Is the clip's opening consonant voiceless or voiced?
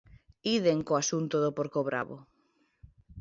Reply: voiced